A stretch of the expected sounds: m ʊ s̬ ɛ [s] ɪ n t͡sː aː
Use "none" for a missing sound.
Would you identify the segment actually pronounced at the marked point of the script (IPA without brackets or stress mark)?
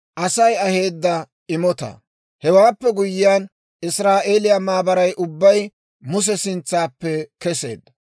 s